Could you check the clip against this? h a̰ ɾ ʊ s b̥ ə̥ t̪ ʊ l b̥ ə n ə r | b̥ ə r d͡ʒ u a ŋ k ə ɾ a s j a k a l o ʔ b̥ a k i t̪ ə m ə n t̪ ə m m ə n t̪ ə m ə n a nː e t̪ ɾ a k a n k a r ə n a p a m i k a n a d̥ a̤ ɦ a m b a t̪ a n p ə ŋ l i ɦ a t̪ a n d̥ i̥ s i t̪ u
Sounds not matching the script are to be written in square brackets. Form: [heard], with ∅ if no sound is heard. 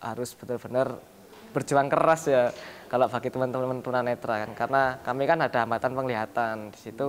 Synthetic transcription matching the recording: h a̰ ɾ ʊ s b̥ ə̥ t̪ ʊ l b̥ ə n ə r | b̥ ə r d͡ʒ u a ŋ k ə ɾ a s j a k a l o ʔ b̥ a k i t̪ ə m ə n t̪ ə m m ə n t̪ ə m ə n a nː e t̪ ɾ a k a n k a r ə n a [k] a m i k a n a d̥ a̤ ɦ a m b a t̪ a n p ə ŋ l i ɦ a t̪ a n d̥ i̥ s i t̪ u